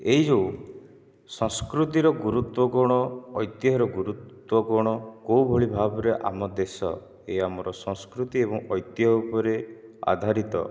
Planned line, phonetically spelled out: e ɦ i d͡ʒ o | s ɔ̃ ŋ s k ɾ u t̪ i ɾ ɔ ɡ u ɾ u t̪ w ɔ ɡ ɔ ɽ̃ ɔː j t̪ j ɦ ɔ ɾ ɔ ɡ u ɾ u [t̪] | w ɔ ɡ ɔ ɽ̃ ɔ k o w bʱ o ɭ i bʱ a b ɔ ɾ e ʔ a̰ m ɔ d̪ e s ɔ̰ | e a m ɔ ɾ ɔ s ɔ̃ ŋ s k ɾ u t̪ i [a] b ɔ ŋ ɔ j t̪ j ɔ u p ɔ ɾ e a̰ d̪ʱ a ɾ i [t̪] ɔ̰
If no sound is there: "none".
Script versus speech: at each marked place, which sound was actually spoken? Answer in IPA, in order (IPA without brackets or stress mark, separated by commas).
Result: t̪, e, t̪